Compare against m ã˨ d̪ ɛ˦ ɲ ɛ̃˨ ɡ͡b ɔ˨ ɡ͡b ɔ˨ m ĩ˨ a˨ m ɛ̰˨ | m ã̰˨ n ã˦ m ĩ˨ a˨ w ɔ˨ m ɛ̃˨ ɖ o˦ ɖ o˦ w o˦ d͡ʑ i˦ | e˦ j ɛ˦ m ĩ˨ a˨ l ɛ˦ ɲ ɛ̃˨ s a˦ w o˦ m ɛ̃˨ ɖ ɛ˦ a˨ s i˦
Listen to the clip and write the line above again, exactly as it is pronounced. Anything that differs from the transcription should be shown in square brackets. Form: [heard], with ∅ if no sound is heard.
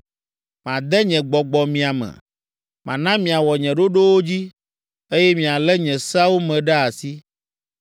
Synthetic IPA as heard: m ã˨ d̪ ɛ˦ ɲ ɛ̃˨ ɡ͡b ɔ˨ ɡ͡b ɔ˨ m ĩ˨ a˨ m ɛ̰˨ | m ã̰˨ n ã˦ m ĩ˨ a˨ w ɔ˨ [ɲ] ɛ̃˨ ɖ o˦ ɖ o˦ w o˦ d͡ʑ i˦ | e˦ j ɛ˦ m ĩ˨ a˨ l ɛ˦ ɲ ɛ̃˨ s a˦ w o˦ m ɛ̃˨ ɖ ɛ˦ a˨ s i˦